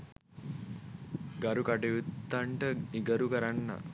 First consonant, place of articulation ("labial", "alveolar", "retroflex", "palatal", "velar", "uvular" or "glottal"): velar